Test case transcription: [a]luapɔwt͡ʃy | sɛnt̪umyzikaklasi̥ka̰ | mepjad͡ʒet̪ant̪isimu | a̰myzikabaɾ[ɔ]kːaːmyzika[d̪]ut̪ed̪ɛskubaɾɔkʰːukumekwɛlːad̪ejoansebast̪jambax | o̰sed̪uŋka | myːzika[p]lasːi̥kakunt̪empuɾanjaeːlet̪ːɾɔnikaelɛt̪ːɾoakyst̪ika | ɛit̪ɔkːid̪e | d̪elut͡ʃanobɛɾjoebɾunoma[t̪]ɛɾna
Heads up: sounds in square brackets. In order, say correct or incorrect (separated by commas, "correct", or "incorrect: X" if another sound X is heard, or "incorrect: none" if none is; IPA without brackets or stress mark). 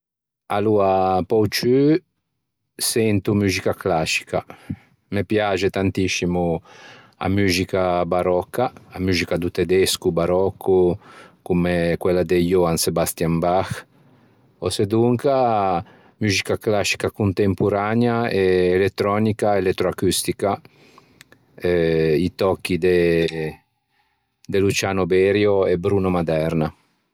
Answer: correct, correct, correct, incorrect: k, incorrect: d̪